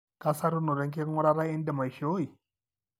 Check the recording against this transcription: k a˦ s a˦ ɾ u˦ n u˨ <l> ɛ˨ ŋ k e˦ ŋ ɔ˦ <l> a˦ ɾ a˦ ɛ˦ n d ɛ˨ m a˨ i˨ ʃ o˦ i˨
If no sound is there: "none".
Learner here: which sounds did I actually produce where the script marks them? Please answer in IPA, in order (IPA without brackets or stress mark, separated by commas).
ɾ, ɾ